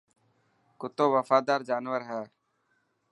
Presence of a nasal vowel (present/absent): absent